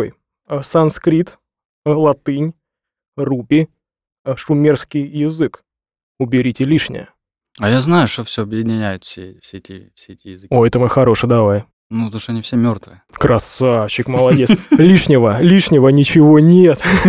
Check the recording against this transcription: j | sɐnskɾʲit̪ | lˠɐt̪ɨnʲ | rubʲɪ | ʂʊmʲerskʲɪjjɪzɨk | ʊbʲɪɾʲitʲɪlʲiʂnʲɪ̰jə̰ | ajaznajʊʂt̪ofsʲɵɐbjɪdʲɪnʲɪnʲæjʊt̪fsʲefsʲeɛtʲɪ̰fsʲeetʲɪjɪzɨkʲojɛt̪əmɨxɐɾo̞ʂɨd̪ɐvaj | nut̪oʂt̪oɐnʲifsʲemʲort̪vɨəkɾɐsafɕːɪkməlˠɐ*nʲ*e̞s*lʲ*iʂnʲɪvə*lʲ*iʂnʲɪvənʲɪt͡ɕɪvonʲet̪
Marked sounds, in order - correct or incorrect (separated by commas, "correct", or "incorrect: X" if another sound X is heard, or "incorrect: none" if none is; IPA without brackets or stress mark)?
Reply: incorrect: dʲ, correct, correct